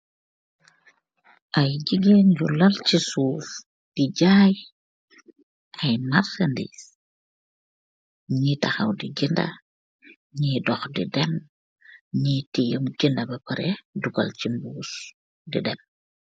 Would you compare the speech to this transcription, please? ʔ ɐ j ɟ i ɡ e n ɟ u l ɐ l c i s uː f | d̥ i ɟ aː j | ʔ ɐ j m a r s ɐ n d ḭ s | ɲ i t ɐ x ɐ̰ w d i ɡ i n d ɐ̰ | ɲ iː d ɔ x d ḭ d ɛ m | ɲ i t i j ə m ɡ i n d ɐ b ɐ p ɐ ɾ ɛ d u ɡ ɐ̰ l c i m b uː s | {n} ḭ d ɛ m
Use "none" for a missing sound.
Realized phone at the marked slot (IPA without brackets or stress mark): d